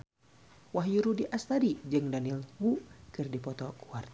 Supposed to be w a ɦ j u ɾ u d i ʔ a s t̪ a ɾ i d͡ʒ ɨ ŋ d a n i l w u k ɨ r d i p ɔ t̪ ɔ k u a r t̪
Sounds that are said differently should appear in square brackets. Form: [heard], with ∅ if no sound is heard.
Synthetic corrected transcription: w a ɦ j u ɾ u d i ʔ a s t̪ a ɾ i d͡ʒ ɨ ŋ d a n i l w u k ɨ r d i p ɔ t̪ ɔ k u a r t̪